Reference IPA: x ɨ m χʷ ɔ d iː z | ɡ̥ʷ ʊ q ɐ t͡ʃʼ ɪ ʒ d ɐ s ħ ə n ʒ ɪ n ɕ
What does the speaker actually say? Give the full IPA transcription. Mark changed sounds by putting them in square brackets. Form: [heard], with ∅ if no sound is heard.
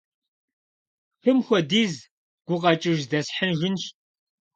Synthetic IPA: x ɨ m [xʷ] ɔ d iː z | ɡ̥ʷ ʊ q ɐ t͡ʃʼ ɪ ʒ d ɐ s ħ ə n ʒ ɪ n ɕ